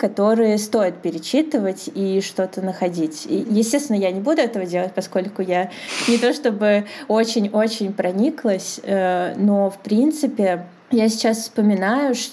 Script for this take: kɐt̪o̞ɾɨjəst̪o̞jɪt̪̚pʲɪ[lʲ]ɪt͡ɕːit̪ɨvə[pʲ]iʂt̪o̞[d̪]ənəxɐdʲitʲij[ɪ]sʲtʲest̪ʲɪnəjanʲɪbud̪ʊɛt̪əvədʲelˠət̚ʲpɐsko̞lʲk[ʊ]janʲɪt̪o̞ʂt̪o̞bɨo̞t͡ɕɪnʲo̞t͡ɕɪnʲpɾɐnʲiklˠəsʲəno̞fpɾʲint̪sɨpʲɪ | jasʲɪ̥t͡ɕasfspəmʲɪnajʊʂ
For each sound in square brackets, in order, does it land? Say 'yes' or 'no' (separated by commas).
no, no, no, yes, yes